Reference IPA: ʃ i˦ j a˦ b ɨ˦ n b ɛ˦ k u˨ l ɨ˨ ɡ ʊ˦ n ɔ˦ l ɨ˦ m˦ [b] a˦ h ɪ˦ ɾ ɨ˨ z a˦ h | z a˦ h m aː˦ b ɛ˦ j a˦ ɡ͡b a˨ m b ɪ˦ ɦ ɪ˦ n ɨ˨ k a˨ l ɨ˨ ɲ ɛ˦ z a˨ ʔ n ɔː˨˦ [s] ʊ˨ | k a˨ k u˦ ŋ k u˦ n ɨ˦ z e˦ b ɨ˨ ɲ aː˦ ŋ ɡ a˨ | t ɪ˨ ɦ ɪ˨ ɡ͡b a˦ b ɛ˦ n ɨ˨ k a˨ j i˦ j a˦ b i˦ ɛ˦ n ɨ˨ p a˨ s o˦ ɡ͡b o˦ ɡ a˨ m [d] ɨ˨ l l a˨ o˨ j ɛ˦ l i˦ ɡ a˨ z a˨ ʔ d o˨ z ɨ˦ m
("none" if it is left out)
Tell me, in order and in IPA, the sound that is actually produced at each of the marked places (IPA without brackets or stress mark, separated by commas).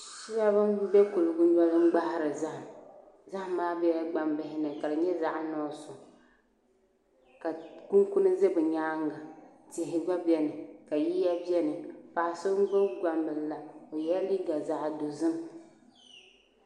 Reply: ɡ͡b, s, b